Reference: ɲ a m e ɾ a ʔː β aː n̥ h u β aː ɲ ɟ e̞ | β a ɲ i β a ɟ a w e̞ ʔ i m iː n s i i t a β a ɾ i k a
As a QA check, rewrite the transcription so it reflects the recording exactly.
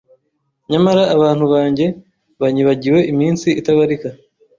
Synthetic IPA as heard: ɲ a m a ɾ a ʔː β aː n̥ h u β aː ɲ ɟ e̞ | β a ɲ i β a ɟ i w e̞ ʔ i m iː n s i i t a β a ɾ i k a